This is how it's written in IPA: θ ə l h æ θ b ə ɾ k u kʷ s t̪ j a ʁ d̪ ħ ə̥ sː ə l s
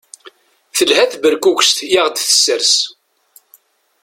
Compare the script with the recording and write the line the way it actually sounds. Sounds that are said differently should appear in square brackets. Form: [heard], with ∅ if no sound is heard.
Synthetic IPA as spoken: θ ə l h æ θ b ə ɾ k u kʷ s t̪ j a ʁ d̪ [θ] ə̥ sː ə [ɾ] s